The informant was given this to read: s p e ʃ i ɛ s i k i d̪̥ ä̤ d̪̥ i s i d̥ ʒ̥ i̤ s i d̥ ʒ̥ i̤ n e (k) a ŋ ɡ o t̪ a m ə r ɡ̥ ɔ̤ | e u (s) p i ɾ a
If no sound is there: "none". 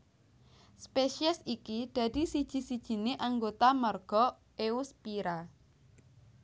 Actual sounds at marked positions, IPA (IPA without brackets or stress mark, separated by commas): ʔ, s